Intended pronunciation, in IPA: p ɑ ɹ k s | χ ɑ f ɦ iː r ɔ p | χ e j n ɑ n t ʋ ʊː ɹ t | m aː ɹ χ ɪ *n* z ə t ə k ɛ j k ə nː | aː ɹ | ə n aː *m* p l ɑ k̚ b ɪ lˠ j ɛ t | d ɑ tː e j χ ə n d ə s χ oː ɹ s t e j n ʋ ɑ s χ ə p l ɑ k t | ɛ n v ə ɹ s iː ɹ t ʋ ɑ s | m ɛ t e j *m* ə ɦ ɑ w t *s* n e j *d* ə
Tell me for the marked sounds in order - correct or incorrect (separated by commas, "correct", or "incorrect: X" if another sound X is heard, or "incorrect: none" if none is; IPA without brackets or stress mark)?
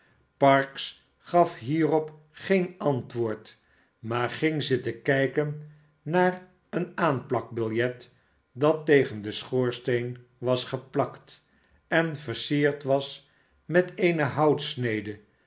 incorrect: ŋ, incorrect: n, incorrect: n, correct, correct